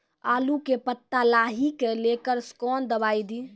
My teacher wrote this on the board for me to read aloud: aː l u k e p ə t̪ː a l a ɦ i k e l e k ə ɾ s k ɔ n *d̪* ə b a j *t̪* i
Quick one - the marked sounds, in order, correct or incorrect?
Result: correct, incorrect: d̪

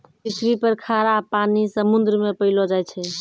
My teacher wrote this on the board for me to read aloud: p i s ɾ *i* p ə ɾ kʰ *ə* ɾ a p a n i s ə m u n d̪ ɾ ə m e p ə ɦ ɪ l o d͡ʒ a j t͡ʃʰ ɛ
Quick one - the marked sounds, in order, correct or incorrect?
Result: correct, incorrect: a

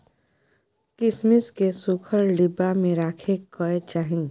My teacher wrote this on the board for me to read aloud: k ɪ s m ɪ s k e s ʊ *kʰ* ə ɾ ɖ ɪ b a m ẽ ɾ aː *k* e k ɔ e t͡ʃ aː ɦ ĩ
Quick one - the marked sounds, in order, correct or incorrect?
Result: correct, incorrect: kʰ

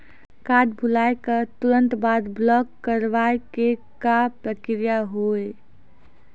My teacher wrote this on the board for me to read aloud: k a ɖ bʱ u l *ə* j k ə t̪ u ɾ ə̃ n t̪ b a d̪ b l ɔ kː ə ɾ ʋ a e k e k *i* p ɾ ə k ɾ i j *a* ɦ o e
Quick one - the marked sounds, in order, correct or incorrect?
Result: incorrect: a, incorrect: a, correct

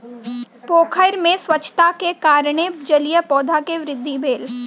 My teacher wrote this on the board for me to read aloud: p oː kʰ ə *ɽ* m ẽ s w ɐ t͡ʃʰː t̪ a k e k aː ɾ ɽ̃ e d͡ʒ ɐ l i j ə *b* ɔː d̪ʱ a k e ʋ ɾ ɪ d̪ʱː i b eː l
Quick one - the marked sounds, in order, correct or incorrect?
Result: incorrect: ɾ, incorrect: p

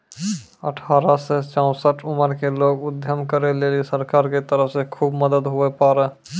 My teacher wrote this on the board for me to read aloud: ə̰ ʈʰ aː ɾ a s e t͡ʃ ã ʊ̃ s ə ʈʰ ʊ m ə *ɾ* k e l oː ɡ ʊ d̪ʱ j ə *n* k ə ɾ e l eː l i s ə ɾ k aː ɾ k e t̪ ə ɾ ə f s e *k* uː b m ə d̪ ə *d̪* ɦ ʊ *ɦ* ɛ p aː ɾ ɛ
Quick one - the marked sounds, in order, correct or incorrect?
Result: correct, incorrect: m, incorrect: kʰ, correct, incorrect: none

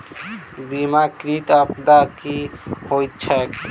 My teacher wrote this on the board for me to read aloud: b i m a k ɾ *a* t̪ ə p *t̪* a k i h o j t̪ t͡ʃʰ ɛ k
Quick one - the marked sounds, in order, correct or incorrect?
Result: incorrect: i, incorrect: d̪

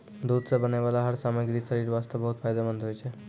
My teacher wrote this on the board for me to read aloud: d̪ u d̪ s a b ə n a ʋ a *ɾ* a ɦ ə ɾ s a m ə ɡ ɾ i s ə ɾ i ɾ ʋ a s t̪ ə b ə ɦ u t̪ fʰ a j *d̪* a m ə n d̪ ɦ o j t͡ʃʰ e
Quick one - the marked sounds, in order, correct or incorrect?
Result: incorrect: l, correct

